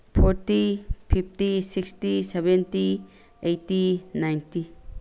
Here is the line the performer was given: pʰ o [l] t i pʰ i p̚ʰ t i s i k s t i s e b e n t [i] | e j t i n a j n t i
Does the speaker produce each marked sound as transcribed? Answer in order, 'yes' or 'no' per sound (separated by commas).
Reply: no, yes